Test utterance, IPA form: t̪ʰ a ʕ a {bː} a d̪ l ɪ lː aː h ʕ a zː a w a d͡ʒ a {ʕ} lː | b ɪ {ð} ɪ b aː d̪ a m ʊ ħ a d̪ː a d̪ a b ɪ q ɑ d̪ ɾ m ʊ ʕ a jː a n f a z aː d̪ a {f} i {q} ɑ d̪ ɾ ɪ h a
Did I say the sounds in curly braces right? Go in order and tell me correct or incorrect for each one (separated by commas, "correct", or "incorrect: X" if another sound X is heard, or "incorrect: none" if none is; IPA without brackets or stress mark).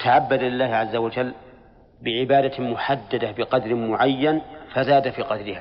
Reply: correct, incorrect: none, incorrect: ʕ, correct, correct